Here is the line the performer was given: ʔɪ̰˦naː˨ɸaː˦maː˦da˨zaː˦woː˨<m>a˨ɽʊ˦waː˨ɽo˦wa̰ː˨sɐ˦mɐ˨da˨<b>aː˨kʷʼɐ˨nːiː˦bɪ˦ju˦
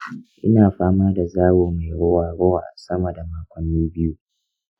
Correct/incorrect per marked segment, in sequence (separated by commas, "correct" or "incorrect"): correct, incorrect